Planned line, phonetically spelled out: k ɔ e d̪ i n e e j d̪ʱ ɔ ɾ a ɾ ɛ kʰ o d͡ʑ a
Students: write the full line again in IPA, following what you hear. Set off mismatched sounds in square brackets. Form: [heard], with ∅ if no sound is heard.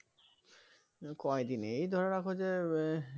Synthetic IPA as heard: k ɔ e d̪ i n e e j d̪ʱ ɔ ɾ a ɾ [a] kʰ o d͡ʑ [e]